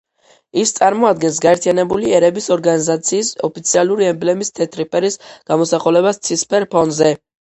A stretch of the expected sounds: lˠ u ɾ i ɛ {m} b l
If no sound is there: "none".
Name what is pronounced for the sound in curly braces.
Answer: m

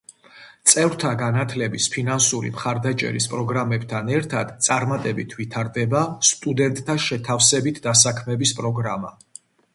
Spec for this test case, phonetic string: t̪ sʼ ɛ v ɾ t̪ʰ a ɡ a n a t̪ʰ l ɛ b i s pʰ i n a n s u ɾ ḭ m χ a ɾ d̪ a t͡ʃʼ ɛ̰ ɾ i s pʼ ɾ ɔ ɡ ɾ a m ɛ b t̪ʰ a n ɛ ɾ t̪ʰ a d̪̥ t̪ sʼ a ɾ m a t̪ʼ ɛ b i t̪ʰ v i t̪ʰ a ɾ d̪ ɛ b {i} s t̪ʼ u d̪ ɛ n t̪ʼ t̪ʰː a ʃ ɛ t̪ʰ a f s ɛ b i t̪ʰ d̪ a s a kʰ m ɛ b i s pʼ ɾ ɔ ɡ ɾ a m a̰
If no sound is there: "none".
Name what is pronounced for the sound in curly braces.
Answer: a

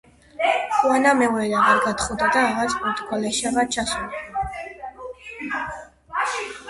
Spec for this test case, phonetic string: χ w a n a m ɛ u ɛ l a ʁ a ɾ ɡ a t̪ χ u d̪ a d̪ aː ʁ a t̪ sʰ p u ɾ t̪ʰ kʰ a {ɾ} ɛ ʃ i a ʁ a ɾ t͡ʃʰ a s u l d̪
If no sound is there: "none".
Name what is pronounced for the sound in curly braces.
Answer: l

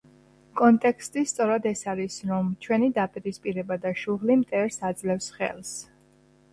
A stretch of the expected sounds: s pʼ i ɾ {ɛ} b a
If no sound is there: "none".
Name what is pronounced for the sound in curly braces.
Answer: ɛ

